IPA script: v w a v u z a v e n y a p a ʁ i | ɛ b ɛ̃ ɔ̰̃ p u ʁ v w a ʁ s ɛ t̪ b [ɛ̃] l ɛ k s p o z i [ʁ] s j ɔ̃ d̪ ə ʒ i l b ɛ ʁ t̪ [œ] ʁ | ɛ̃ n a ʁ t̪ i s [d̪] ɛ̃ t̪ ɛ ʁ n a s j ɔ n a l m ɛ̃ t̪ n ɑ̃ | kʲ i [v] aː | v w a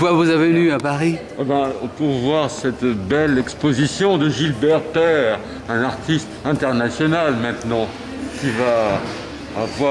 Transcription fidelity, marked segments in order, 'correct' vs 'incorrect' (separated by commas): incorrect, incorrect, incorrect, incorrect, correct